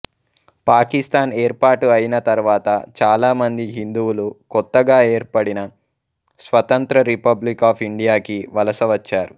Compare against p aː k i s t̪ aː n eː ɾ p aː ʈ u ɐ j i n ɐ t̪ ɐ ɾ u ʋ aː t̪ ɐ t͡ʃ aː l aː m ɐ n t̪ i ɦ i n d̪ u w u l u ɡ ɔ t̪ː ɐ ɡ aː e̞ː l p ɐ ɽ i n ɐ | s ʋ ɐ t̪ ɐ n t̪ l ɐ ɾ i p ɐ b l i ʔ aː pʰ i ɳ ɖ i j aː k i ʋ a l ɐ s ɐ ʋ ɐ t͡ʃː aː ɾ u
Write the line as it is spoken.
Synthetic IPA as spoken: p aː k i s t̪ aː n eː ɾ p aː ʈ u ɐ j i n ɐ t̪ ɐ ɾ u ʋ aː t̪ ɐ t͡ʃ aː l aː m ɐ n d̪ i ɦ i n d̪ u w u l u k ɔ t̪ː ɐ ɡ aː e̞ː ɾ p ɐ ɽ i n ɐ | s ʋ ɐ t̪ ɐ n t̪ ɾ ɐ ɾ i p ɐ b l i k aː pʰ i ɳ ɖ i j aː k i ʋ ɐ l ɐ s ɐ ʋ ɐ t͡ʃː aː ɾ u

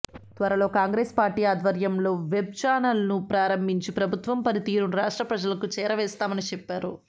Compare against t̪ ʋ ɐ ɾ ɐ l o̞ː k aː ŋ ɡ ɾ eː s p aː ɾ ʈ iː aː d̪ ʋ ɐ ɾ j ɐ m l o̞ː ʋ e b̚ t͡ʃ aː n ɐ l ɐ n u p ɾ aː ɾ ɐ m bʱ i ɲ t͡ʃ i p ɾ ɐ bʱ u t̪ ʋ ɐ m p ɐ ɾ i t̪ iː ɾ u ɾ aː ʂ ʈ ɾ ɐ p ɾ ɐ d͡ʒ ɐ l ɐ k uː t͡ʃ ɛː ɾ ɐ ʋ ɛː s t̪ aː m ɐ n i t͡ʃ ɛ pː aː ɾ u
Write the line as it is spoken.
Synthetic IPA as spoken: t̪ ʋ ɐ ɾ ɐ l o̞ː k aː ŋ ɡ ɾ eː s p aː ɾ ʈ iː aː d̪ ʋ ɐ ɾ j ɐ m l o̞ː ʋ e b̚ t͡ʃ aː n ɐ l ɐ n u p ɾ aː ɾ ɐ m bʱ i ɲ t͡ʃ i p ɾ ɐ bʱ u t̪ ʋ ɐ m p ɐ ɾ i t̪ iː ɾ u ɾ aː ʂ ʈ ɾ ɐ p ɾ ɐ d͡ʒ ɐ l ɐ k u t͡ʃ ɛː ɾ ɐ ʋ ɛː s t̪ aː m ɐ n i t͡ʃ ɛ pː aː ɾ u

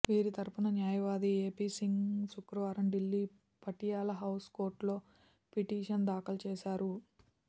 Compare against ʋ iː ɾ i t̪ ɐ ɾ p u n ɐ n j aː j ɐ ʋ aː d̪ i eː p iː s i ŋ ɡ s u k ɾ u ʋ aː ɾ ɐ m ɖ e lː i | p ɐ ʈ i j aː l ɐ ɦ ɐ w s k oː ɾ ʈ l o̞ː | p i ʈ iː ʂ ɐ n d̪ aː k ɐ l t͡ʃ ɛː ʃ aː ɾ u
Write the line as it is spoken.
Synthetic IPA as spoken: ʋ iː ɾ i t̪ ɐ ɾ p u n ɐ n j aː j ɐ ʋ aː d̪ i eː p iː s i ŋ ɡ s u k ɾ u ʋ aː ɾ ɐ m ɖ i lː i | p ɐ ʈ i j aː l ɐ ɦ ɐ w s k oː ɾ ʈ l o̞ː | p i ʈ iː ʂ ɐ n d̪ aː k ɐ l t͡ʃ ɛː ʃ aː ɾ u

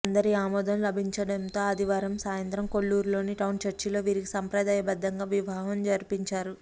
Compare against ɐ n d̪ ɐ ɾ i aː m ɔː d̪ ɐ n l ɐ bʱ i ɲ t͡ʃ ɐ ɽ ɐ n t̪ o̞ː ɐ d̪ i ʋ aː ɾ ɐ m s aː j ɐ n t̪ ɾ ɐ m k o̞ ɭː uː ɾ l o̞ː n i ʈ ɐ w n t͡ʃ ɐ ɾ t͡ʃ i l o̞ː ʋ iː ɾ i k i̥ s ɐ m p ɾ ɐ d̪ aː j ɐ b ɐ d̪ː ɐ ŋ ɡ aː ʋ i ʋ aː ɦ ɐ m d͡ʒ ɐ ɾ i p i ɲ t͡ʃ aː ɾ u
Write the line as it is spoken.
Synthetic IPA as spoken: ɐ n d̪ ɐ ɾ i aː m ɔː d̪ ɐ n l ɐ bʱ i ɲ t͡ʃ ɐ ɽ ɐ n t̪ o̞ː ɐ d̪ i ʋ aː ɾ ɐ m s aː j ɐ n t̪ ɾ ɐ m k o̞ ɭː uː ɾ l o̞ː n i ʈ ɐ w n t͡ʃ ɐ ɾ t͡ʃ i l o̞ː ʋ iː ɾ i k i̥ s ɐ m p ɾ ɐ d̪ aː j ɐ b ɐ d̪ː ɐ ŋ ɡ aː ʋ i ʋ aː ɦ ɐ m d͡ʒ ɐ ɾ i p i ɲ t͡ʃ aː ɾ u

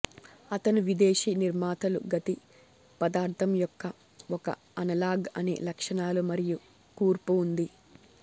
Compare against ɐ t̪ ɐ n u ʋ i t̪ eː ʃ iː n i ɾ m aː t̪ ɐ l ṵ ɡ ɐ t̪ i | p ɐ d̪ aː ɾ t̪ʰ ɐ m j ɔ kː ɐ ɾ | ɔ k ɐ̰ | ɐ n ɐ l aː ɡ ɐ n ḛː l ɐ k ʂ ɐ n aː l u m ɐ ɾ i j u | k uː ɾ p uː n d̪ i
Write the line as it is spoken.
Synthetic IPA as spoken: ɐ t̪ ɐ n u ʋ i d̪ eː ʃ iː n i ɾ m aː t̪ ɐ l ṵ ɡ ɐ t̪ i | p ɐ d̪ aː ɾ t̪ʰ ɐ m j ɔ kː ɐ | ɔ k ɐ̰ | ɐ n ɐ l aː ɡ ɐ n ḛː l ɐ k ʂ ɐ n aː l u m ɐ ɾ i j u | k uː ɾ p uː n d̪ i

